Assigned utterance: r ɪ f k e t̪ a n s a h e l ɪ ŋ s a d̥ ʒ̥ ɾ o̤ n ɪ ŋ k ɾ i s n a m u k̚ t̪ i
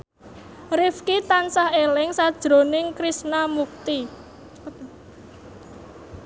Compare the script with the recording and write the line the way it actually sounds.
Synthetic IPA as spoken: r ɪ f k i t̪ a n s a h e l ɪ ŋ s a d̥ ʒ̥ ɾ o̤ n ɪ ŋ k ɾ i s n a m u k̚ t̪ i